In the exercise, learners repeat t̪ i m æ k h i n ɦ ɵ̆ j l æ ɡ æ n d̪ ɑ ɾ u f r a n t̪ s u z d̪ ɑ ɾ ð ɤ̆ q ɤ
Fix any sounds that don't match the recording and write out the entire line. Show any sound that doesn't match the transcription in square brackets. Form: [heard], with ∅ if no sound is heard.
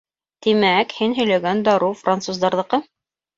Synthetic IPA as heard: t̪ i m æ k h i n ɦ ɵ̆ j l æ ɡ æ n d̪ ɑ ɾ u f r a n t̪ s u z d̪ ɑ ɾ ð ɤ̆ q ɤ